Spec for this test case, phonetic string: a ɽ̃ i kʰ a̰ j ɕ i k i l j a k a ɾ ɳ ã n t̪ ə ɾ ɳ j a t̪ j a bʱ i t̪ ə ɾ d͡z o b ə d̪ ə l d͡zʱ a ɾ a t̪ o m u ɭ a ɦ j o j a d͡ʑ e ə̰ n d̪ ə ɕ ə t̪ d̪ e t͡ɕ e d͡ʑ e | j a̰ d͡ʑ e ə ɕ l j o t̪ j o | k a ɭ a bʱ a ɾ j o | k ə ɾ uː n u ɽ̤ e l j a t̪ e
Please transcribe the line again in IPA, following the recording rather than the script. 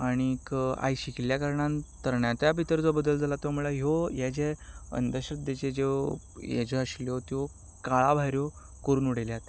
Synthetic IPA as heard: a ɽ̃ i k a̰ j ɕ i k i l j a k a ɾ ɳ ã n t̪ ə ɾ ɳ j a t̪ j a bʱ i t̪ ə ɾ d͡z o b ə d̪ ə l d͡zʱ a l a t̪ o m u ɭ a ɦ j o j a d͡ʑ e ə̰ n d̪ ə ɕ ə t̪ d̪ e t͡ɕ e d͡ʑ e | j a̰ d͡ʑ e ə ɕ l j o t̪ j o | k a ɭ a bʱ a ɾ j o | k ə ɾ uː n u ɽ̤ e l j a t̪ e